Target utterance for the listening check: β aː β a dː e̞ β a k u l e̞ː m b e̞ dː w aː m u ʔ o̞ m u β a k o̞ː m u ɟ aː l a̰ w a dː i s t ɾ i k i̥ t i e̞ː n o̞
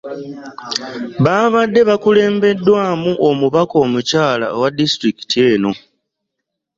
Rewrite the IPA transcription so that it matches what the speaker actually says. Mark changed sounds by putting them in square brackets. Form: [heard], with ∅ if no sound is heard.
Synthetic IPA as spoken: β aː β a dː e̞ β a k u l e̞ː m b e̞ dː w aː m u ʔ o̞ m u β a k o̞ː m u [c] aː l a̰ w a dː i s t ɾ i k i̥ t i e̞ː n o̞

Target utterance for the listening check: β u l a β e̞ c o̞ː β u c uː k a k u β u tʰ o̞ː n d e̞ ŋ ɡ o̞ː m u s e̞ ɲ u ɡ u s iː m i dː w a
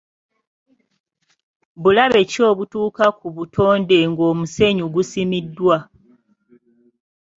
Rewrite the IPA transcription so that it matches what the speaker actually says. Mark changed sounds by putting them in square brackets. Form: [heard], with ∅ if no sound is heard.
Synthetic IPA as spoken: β u l a β e̞ c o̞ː β u [t] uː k a k u β u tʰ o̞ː n d e̞ ŋ ɡ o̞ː m u s e̞ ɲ u ɡ u s [i] m i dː w a

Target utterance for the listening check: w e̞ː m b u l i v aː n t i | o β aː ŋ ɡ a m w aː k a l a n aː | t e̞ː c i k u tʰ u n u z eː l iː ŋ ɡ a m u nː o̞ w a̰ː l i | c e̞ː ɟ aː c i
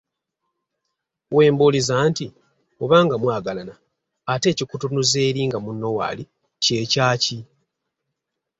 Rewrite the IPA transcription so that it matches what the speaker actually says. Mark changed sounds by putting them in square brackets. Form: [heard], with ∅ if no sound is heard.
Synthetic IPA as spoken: w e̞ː m b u l i [z] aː n t i | o β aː ŋ ɡ a m w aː [ɡ] a l a n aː | t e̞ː c i k u [t] u n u z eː [ɾ] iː ŋ ɡ a m u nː o̞ w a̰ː l i | c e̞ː [c] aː c i

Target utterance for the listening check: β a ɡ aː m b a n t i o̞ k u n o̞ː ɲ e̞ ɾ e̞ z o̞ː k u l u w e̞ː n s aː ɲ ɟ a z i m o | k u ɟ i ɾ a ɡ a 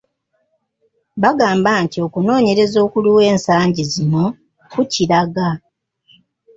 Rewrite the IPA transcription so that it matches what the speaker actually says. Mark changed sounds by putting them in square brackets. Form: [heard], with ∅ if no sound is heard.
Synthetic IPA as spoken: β a ɡ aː m b a n t i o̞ k u n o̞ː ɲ e̞ ɾ e̞ z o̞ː k u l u w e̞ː n s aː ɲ ɟ [i] z i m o | k u [c] i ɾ a ɡ a

